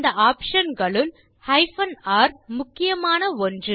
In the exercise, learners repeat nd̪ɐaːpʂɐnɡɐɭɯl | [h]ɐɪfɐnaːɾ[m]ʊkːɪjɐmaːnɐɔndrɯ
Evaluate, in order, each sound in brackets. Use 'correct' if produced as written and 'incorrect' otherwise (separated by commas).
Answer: correct, correct